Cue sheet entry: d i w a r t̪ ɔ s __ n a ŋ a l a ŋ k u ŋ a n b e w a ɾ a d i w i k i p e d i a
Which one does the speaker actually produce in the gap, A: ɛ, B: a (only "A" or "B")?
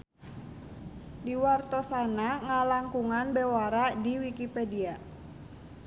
B